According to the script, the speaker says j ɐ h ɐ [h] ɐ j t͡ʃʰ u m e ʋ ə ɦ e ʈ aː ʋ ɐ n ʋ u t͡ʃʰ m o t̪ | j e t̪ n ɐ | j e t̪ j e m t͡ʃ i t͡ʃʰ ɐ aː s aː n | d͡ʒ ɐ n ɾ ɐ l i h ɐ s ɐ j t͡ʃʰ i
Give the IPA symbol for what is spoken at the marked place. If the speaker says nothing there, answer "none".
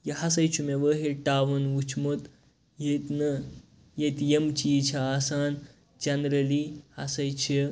s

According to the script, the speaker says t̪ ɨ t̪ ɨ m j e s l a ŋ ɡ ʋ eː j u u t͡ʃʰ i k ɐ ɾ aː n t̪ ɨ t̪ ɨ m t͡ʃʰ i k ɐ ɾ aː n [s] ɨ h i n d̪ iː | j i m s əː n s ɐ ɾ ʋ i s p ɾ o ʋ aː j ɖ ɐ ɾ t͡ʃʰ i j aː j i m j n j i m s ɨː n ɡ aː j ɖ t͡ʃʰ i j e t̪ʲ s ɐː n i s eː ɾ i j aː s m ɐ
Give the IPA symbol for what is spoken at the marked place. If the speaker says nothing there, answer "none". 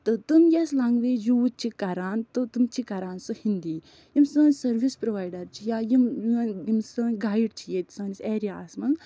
s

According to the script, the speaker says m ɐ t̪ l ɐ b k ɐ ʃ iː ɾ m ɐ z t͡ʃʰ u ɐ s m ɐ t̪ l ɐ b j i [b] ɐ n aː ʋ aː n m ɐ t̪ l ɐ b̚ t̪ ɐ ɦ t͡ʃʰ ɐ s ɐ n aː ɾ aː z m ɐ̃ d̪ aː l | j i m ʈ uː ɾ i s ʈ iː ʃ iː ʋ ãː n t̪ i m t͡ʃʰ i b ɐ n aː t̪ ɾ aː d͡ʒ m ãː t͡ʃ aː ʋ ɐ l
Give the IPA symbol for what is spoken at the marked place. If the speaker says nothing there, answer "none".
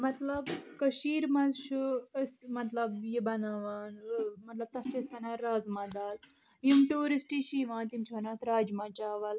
b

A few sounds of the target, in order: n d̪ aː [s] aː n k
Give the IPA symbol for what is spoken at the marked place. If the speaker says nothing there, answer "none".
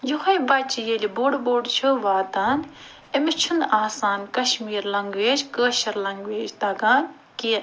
s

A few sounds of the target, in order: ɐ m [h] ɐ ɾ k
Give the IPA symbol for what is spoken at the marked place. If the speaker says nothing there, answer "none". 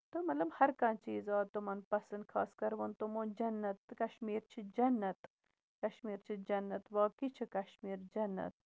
h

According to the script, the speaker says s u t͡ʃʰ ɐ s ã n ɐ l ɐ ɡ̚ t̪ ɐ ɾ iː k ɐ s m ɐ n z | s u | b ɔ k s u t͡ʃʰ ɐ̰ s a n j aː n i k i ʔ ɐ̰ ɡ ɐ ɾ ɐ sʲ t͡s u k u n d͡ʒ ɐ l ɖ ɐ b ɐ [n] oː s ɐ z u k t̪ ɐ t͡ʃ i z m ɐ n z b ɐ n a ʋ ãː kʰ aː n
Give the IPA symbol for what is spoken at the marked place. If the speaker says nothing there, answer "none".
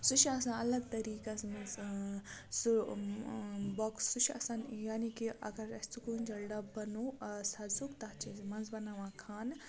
n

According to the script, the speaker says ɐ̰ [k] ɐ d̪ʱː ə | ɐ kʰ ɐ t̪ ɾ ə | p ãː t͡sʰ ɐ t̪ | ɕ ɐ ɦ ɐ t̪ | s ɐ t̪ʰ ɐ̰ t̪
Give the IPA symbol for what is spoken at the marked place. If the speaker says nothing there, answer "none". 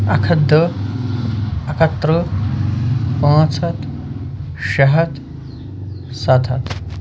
kʰ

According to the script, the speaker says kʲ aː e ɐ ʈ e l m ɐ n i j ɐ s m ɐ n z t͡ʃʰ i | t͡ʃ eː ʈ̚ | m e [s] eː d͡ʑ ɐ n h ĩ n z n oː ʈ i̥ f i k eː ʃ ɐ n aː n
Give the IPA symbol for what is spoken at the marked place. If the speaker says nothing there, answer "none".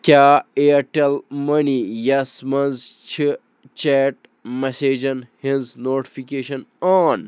s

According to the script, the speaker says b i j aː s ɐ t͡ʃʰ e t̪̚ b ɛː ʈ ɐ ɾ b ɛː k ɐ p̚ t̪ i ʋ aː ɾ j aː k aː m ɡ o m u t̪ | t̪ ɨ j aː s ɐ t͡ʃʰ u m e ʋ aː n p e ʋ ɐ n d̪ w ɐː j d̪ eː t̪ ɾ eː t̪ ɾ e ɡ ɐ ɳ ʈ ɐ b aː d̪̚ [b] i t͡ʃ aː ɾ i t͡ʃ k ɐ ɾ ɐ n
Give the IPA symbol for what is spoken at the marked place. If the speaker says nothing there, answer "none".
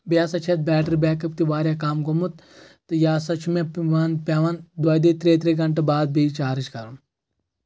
b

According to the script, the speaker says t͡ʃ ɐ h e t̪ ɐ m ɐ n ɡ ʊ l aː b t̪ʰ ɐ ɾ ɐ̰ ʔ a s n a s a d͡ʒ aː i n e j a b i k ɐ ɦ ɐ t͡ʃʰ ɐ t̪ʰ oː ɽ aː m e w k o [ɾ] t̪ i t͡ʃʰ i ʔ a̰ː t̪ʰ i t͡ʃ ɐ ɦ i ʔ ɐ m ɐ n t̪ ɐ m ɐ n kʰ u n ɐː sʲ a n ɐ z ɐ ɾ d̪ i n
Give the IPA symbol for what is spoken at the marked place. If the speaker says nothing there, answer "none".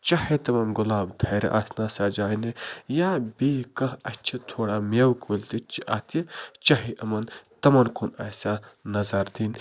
l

